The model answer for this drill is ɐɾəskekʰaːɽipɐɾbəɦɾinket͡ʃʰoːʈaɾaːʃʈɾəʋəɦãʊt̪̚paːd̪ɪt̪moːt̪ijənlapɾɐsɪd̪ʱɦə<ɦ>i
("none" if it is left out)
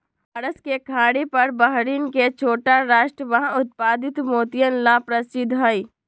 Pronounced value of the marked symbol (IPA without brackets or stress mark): none